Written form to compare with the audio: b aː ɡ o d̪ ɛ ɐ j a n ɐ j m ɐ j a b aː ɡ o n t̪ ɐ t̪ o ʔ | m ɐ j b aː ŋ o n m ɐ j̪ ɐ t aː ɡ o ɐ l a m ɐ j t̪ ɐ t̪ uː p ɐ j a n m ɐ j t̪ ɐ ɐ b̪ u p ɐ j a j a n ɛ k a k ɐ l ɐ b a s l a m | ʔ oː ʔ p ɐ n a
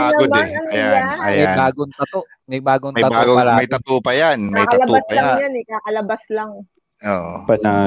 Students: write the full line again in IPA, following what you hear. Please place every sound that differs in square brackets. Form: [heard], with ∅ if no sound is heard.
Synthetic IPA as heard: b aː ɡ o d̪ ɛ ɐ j a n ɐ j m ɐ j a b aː ɡ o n t̪ ɐ t̪ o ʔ | m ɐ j b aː [ɡ] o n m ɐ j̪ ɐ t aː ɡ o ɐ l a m ɐ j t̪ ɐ t̪ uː p ɐ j a n m ɐ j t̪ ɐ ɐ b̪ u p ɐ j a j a n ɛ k a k ɐ l ɐ b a s l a [ŋ] | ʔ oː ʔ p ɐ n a